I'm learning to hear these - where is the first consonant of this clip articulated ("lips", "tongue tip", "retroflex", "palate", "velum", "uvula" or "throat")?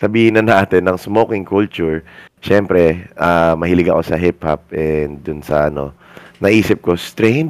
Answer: tongue tip